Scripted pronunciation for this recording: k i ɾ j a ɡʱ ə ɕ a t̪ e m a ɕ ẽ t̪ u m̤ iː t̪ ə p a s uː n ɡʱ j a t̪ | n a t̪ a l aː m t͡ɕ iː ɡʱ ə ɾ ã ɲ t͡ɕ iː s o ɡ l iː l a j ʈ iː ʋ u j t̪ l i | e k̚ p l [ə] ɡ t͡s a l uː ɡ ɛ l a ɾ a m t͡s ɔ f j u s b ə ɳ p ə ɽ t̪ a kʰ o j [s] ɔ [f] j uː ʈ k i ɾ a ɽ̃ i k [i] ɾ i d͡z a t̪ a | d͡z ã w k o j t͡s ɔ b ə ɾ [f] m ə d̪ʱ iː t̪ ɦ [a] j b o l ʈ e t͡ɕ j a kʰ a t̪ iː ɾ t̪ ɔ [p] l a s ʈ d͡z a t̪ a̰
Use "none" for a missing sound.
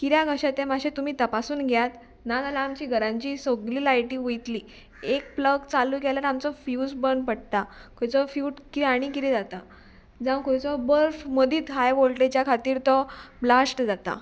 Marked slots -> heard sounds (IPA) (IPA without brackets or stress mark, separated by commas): ə, t͡s, f, i, f, a, b